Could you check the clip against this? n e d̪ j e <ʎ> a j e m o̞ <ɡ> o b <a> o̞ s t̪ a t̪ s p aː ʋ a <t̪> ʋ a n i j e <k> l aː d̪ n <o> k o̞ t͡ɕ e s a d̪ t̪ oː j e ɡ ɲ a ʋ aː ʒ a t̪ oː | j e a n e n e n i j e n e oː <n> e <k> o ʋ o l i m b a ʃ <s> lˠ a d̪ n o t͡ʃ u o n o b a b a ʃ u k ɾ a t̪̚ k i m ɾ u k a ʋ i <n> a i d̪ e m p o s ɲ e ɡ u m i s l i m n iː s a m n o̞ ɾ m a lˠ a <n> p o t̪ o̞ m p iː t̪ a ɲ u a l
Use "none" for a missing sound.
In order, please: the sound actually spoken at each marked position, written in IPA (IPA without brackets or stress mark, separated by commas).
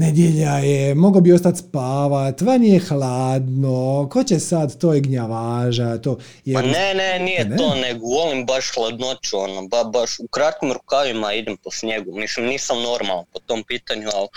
ʎ, ɡ, i, t̪, x, o, n, ɡ, x, m, n